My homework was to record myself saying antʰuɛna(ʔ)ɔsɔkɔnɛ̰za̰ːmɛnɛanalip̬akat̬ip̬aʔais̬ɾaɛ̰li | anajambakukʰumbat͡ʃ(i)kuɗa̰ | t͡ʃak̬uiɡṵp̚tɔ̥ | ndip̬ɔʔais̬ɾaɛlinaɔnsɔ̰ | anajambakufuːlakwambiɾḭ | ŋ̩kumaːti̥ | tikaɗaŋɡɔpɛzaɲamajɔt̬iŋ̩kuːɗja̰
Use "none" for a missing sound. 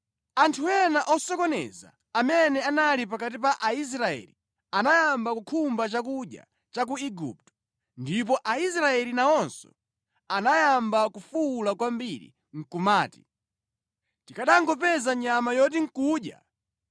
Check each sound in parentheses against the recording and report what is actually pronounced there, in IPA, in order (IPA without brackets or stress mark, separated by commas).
ʔ, a